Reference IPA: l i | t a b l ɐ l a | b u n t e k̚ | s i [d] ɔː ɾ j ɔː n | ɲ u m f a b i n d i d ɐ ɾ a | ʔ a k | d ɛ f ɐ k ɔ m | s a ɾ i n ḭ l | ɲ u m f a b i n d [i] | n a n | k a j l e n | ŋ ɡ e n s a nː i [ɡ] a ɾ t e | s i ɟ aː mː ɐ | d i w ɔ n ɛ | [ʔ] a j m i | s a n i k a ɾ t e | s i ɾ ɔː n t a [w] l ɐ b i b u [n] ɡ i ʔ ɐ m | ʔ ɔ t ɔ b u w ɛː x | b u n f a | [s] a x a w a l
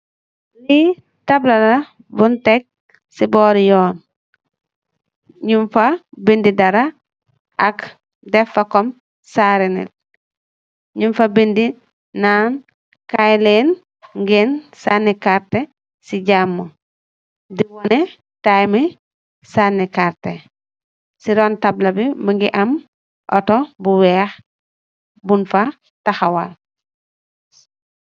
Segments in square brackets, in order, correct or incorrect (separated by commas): incorrect, correct, incorrect, incorrect, incorrect, incorrect, incorrect